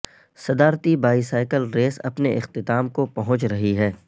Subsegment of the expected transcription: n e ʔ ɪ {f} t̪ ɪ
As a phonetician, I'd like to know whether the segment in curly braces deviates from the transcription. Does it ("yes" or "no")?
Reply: yes